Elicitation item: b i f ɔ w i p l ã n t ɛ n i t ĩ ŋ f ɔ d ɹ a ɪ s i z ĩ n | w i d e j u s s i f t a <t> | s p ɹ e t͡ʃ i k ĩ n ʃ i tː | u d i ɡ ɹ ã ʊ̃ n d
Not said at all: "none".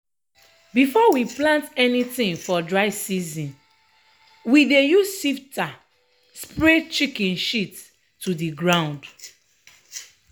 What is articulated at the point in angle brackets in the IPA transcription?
none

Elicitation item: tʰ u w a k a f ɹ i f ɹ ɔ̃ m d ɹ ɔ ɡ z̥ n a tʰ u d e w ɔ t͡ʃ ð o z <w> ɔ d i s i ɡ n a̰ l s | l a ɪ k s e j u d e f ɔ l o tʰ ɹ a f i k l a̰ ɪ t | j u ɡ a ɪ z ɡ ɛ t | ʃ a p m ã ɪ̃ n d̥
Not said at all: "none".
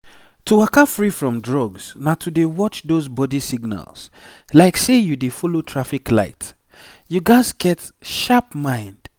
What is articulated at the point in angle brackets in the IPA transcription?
b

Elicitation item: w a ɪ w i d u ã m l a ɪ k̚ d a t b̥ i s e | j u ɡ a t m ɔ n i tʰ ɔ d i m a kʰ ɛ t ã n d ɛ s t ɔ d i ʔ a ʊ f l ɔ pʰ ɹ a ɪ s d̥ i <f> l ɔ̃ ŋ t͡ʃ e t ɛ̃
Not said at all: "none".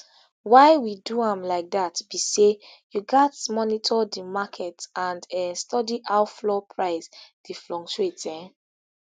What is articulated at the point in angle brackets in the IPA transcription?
f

